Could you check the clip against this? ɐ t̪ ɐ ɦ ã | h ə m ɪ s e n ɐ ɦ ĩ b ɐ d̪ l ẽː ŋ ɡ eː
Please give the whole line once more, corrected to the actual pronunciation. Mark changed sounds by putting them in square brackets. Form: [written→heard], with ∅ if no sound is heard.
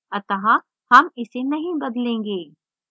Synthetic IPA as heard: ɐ t̪ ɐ ɦ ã | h [ə→ɐ] m ɪ s e n ɐ ɦ ĩ b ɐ d̪ l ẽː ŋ ɡ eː